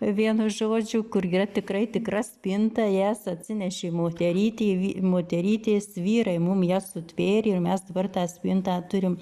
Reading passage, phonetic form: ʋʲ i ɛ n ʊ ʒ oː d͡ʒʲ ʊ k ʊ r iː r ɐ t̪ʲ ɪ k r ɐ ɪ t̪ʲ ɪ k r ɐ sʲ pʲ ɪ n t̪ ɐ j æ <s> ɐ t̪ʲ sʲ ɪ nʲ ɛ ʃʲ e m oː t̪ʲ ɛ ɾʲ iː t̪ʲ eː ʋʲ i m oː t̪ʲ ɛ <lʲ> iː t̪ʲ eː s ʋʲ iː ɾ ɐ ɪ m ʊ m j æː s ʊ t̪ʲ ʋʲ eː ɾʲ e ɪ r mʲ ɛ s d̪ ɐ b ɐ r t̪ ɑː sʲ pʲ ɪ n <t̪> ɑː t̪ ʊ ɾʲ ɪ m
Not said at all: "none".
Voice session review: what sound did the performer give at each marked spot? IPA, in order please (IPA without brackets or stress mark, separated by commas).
s, ɾʲ, t̪